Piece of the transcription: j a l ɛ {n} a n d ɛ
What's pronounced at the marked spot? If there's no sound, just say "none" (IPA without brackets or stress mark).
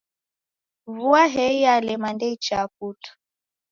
m